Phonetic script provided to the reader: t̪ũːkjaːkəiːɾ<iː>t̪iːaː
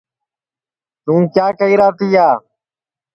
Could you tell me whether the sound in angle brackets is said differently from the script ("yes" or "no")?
yes